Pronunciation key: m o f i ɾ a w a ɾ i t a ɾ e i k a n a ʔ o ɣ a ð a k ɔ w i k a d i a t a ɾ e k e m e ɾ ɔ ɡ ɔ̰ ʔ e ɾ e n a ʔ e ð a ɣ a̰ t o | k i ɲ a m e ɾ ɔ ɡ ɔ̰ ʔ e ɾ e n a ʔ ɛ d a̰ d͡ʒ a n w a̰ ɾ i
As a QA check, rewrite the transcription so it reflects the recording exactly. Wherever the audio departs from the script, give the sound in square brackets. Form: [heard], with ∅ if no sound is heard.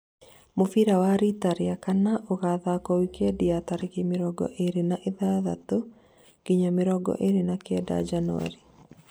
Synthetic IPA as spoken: m o f i ɾ a w a ɾ i t a ɾ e [a] k a n a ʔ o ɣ a ð a k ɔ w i k [ɛ] d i a t a ɾ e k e m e ɾ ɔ ɡ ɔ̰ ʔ e ɾ e n a ʔ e ð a [ð] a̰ t o | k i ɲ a m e ɾ ɔ ɡ ɔ̰ ʔ e ɾ e n a [k] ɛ d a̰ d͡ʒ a n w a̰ ɾ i